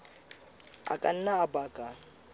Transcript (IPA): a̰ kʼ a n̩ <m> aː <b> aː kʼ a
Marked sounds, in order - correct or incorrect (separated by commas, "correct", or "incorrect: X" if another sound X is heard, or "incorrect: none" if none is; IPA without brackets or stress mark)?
incorrect: n, correct